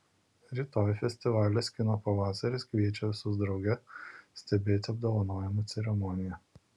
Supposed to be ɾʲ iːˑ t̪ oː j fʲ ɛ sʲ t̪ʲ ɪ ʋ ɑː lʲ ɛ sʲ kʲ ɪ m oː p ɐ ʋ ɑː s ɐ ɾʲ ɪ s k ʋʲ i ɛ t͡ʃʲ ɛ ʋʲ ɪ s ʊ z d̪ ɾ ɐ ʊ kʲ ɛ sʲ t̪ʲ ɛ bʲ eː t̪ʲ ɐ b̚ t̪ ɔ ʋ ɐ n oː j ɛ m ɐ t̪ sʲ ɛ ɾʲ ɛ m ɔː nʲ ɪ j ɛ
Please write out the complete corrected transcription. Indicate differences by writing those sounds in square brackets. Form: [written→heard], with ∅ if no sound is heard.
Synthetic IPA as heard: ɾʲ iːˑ t̪ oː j fʲ ɛ sʲ t̪ʲ ɪ ʋ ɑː lʲ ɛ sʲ kʲ ɪ [m→n] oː p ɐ ʋ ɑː s ɐ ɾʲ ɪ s k ʋʲ i ɛ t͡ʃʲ ɛ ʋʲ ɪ s ʊ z d̪ ɾ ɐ ʊ [kʲ→ɡʲ] ɛ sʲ t̪ʲ ɛ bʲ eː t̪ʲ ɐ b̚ [t̪→d̪] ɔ ʋ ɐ n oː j ɛ m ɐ t̪ sʲ ɛ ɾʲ ɛ m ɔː nʲ ɪ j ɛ